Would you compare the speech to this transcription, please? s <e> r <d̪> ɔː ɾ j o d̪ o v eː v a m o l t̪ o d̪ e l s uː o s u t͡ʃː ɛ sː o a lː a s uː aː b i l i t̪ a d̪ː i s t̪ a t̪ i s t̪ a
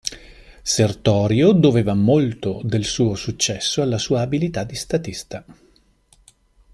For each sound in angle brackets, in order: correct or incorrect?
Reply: correct, incorrect: t̪

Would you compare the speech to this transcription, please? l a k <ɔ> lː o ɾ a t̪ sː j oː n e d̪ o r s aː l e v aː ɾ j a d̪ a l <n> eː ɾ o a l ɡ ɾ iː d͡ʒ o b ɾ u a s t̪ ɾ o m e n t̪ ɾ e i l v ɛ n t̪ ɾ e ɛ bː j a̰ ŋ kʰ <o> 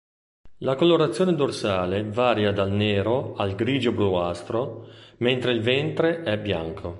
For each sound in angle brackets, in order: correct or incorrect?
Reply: incorrect: o, correct, correct

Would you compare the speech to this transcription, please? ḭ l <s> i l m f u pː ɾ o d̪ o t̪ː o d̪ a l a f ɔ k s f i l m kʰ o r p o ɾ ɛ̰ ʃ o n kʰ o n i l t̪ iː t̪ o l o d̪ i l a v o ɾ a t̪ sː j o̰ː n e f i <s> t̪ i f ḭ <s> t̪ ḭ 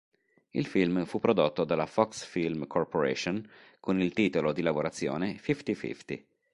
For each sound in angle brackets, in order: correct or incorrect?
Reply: incorrect: f, incorrect: f, incorrect: f

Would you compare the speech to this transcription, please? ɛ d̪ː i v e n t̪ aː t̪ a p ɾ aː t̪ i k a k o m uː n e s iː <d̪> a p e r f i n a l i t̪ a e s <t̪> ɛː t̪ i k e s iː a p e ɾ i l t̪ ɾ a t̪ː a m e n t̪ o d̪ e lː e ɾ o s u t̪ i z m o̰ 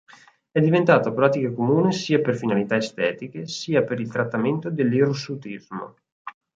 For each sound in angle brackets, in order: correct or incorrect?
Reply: incorrect: none, correct

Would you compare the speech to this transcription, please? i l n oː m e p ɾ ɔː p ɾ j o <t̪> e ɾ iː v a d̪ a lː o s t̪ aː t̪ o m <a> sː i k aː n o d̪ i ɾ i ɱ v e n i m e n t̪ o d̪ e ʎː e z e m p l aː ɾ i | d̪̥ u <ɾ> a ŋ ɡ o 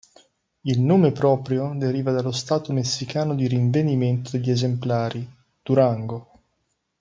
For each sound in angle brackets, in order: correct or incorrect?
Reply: incorrect: d̪, incorrect: e, correct

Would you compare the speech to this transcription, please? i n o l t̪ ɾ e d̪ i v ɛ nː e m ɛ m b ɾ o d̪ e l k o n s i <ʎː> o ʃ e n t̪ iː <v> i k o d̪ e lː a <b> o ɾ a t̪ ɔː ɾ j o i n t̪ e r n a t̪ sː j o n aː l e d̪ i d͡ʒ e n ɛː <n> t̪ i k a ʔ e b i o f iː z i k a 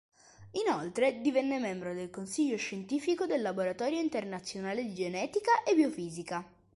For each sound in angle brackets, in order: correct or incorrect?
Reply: correct, incorrect: f, correct, incorrect: none

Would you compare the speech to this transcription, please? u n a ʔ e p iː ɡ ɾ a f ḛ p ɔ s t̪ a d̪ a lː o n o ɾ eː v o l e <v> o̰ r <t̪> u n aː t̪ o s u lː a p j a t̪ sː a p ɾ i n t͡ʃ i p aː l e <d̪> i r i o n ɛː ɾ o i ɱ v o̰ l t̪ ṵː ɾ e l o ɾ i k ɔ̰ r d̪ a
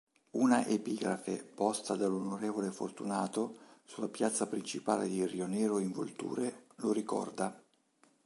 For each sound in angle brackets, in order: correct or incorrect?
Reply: incorrect: f, correct, correct

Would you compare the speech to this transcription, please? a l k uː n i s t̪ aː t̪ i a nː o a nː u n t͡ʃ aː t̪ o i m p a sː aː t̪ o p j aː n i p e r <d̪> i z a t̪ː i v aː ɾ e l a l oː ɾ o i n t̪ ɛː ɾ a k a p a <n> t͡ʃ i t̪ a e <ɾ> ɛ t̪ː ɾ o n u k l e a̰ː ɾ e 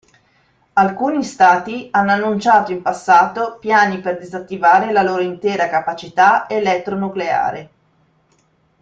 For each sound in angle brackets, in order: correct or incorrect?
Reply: correct, incorrect: none, incorrect: l

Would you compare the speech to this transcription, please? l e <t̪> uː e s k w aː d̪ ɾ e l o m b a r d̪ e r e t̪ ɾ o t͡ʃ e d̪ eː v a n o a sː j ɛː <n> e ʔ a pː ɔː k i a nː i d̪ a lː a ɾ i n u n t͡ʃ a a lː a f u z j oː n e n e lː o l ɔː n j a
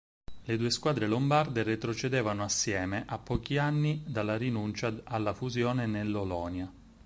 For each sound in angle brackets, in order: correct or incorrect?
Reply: incorrect: d̪, incorrect: m

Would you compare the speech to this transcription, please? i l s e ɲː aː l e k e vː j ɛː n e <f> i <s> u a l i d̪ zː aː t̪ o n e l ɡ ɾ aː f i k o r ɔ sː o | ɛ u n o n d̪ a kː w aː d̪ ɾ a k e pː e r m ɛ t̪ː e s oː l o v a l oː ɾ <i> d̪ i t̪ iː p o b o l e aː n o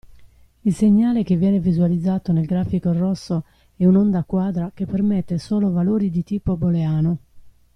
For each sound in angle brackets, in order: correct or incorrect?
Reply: incorrect: v, incorrect: z, correct

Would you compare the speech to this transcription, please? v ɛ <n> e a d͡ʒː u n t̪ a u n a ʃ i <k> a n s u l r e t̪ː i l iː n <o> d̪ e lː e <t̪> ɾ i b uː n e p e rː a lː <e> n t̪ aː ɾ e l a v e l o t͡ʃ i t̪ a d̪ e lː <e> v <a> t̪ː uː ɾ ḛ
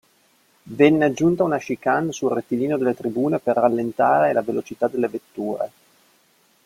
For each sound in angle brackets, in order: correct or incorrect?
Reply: incorrect: nː, correct, correct, correct, correct, correct, incorrect: e

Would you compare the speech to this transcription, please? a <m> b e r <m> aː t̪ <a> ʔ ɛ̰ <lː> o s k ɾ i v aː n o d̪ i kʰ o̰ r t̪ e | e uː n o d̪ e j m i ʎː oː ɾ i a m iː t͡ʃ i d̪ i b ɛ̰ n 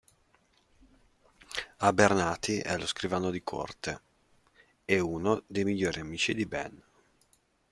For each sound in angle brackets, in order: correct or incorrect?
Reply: incorrect: none, incorrect: n, incorrect: i, incorrect: l

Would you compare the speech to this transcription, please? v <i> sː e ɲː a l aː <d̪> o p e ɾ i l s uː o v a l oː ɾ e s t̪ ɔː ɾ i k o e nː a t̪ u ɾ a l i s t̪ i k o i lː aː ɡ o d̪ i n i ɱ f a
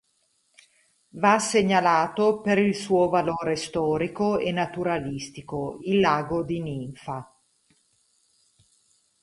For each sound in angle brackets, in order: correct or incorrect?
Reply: incorrect: a, incorrect: t̪

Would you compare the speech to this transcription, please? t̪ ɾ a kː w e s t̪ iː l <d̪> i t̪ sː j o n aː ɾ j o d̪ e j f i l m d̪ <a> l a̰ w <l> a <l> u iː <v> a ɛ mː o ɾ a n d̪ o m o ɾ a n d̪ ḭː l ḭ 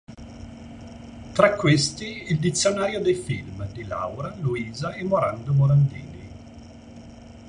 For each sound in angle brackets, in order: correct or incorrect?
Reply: correct, incorrect: i, incorrect: ɾ, correct, incorrect: z

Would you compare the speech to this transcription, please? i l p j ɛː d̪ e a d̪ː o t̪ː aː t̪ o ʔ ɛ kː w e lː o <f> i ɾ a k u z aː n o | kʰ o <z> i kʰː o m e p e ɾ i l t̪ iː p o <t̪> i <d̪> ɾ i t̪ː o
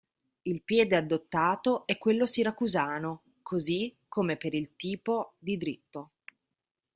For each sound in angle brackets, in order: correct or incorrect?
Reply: incorrect: s, correct, incorrect: d̪, correct

